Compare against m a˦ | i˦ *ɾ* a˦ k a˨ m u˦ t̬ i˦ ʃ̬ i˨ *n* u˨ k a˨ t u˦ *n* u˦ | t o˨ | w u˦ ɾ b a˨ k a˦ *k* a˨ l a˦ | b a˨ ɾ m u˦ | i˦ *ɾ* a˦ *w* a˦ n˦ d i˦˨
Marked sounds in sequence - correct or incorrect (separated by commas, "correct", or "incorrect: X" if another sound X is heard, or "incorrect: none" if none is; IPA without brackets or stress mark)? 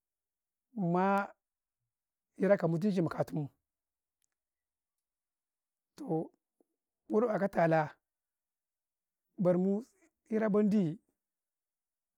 correct, incorrect: m, incorrect: m, incorrect: t, correct, incorrect: b